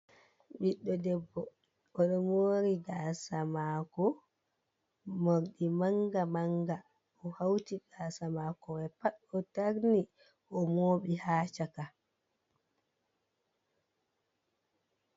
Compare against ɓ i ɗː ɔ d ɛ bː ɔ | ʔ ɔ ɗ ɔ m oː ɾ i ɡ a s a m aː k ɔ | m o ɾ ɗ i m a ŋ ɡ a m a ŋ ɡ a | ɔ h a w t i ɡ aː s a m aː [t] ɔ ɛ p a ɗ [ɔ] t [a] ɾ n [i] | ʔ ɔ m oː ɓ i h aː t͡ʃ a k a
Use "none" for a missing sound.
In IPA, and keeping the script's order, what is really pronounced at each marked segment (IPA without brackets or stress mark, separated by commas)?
k, ɔ, a, i